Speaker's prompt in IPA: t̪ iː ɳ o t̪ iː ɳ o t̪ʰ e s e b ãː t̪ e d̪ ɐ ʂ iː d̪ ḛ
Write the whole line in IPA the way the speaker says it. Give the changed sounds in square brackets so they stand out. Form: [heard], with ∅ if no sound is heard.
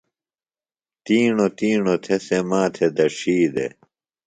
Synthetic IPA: t̪ iː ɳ o t̪ iː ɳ o t̪ʰ e s e [m] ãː [t̪ʰ] e d̪ ɐ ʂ iː d̪ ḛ

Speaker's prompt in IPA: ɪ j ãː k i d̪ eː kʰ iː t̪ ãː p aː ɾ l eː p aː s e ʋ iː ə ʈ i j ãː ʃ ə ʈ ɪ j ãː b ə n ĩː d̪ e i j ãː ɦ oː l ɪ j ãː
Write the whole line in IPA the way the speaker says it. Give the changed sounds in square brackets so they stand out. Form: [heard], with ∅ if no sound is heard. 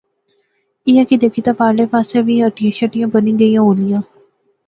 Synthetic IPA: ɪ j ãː k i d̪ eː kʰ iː t̪ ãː p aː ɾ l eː p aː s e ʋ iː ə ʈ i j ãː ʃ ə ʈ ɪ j ãː b ə n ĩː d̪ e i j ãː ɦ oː l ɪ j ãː

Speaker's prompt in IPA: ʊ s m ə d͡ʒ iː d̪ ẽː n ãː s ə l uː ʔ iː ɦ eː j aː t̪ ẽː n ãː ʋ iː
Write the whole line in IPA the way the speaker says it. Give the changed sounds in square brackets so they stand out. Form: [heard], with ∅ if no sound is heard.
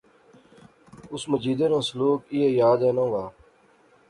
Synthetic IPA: ʊ s m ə d͡ʒ iː d̪ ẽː n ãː s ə l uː [k] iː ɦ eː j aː [d̪] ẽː n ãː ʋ [aː]

